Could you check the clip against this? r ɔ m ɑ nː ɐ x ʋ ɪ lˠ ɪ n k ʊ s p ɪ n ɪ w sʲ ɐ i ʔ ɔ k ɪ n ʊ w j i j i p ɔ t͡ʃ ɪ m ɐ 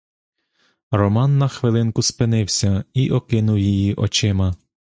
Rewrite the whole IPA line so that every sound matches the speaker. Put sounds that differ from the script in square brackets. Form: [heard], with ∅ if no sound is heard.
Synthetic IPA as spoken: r ɔ m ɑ nː ɐ x ʋ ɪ lˠ ɪ n k ʊ s p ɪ n ɪ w sʲ ɐ i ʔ ɔ k ɪ n ʊ w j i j i [ʔ] ɔ t͡ʃ ɪ m ɐ